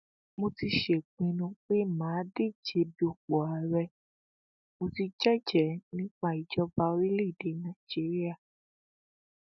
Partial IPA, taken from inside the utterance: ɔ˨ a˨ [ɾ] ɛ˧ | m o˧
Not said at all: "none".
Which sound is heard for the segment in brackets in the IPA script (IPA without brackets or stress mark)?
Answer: ɾ